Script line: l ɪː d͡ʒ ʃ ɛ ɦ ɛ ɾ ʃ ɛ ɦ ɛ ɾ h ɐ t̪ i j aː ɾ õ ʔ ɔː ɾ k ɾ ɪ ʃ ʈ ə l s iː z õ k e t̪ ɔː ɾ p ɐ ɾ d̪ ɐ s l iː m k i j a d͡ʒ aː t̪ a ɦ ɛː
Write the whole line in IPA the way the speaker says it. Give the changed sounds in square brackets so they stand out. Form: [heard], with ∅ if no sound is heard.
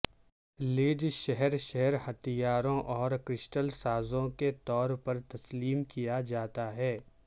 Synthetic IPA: l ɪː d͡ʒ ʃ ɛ ɦ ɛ ɾ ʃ ɛ ɦ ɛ ɾ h ɐ t̪ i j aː ɾ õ ʔ ɔː ɾ k ɾ ɪ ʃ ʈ ə l s [aː] z õ k e t̪ ɔː ɾ p ɐ ɾ [t̪] ɐ s l iː m k i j a d͡ʒ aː t̪ a ɦ ɛː